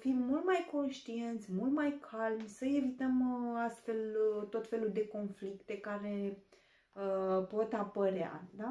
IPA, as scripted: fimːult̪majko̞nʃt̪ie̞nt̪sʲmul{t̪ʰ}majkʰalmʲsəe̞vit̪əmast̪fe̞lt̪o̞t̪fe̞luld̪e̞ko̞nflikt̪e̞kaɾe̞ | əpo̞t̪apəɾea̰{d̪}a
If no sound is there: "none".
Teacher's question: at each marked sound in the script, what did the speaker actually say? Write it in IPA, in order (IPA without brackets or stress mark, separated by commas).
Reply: t̪, d̪